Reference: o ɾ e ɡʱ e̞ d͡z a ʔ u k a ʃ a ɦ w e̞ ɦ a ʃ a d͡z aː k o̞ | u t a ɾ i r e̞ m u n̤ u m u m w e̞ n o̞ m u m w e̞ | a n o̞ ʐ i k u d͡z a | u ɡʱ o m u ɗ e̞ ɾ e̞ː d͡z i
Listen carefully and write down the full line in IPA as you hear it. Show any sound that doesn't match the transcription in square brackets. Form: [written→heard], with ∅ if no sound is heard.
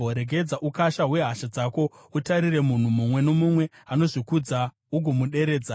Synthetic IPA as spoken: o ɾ e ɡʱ e̞ d͡z a ʔ u k a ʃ a ɦ w e̞ ɦ a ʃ a d͡z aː k o̞ | u t a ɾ i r e̞ m u n̤ u m u m w e̞ n o̞ m u m w e̞ | a n o̞ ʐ i k u d͡z a | u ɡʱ o m u ɗ e̞ ɾ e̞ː d͡z [i→a]